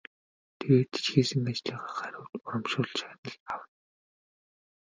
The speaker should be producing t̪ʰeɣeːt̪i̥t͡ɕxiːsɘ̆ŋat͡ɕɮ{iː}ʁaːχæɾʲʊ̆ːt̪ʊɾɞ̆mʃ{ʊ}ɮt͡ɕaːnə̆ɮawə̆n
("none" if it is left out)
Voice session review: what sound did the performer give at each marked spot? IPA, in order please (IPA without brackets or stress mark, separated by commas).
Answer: iː, ʊː